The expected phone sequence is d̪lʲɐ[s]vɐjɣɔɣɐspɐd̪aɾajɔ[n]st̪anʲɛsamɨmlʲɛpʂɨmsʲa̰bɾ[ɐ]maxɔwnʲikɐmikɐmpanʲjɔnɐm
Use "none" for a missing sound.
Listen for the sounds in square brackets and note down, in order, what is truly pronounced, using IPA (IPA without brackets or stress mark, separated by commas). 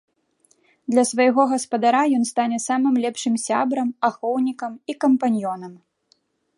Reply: s, n, ɐ